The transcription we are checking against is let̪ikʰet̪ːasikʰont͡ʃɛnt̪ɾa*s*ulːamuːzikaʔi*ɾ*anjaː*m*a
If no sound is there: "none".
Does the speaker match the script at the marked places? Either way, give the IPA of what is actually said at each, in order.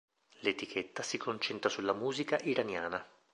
s, ɾ, n

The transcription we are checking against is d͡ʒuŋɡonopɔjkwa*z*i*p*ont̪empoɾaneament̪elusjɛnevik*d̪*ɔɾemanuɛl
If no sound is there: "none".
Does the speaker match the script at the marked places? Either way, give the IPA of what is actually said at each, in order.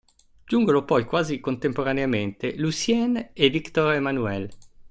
z, k, t̪

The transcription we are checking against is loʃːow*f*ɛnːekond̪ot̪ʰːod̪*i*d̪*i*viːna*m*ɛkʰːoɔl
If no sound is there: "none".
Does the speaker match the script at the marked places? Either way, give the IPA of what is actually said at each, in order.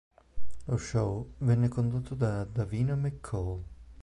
v, a, a, m

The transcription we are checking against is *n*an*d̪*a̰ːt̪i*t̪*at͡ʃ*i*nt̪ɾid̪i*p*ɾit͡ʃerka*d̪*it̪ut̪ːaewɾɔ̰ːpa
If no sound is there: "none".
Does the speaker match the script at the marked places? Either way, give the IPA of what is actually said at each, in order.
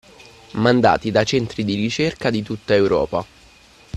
m, d̪, d̪, ɛ, none, d̪

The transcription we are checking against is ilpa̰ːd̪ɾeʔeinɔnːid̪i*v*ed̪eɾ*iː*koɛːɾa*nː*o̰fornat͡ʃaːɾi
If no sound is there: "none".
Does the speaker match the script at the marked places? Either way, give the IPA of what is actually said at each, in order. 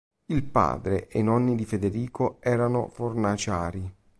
f, iː, n

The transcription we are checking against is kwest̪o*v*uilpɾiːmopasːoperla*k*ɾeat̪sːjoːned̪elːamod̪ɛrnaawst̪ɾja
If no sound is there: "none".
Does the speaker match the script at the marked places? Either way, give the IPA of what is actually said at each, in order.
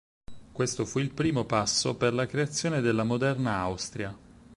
f, k

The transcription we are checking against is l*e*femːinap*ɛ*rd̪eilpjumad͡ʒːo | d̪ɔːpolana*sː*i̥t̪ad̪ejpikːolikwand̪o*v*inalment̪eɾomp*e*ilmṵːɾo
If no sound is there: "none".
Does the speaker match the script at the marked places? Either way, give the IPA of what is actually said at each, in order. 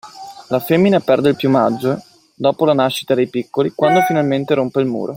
a, ɛ, ʃː, f, e

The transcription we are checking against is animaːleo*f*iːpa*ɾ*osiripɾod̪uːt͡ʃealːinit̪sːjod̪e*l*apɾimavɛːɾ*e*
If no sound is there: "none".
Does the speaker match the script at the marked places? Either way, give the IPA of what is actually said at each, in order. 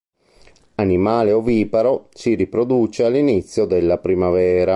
v, ɾ, lː, a

